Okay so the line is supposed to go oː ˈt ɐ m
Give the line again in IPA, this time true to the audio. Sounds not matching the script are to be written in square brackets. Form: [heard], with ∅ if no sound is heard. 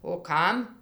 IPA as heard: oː [ˈk] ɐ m